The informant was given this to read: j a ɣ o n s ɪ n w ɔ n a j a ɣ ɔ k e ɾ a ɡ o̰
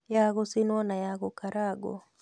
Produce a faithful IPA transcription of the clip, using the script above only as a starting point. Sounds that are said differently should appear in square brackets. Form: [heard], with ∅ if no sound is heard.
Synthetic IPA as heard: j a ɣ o [∅] s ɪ n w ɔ n a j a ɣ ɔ k [a] ɾ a ɡ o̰